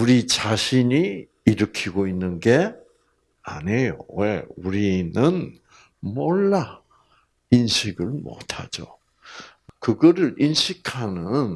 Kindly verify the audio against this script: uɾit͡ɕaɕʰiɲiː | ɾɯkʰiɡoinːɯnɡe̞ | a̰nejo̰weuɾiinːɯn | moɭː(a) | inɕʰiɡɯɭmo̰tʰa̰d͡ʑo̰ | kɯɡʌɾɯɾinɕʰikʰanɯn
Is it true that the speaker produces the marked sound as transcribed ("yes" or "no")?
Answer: yes